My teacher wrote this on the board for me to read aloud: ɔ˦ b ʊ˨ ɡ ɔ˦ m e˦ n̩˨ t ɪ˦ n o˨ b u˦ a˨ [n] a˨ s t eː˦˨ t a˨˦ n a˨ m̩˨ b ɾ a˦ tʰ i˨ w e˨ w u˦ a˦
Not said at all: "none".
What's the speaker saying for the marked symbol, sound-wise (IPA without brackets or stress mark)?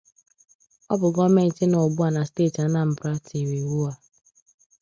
n